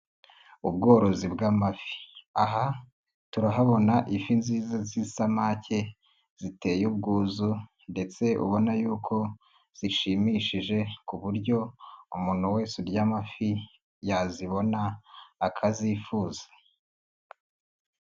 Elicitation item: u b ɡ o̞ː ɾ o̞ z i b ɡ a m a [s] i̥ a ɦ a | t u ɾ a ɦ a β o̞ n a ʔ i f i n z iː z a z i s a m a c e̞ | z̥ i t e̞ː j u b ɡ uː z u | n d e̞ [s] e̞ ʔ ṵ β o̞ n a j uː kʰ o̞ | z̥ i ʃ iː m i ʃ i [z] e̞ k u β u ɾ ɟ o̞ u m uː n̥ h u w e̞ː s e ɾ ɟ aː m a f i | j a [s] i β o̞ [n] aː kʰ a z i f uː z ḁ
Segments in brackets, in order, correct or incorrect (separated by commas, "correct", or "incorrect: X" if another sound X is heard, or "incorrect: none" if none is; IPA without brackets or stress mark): incorrect: f, incorrect: t͡s, incorrect: ʒ, incorrect: z, correct